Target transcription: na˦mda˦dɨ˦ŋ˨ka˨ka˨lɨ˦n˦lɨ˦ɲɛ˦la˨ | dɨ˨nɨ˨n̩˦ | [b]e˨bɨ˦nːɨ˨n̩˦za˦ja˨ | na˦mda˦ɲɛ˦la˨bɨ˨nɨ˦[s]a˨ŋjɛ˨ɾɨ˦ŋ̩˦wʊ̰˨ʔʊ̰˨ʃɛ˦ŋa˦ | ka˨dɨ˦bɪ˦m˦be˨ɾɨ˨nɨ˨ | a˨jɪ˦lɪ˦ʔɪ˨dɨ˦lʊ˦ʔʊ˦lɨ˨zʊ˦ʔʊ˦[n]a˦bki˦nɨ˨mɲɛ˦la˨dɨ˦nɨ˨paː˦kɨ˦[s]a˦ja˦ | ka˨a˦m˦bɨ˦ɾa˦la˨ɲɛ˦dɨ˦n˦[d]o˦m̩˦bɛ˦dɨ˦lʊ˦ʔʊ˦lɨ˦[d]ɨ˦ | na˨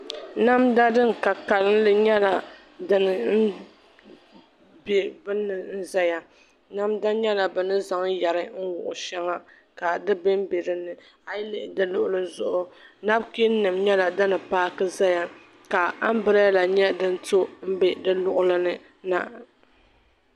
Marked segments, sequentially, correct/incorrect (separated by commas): correct, incorrect, correct, incorrect, incorrect, incorrect